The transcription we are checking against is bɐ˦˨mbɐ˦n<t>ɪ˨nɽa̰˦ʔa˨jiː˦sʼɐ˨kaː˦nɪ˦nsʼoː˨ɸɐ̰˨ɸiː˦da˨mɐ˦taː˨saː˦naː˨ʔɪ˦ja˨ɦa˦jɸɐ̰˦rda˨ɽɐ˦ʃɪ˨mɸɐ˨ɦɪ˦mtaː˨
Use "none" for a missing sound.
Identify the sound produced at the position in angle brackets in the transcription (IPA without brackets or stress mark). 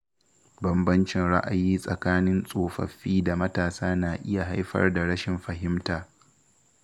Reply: t͡ʃ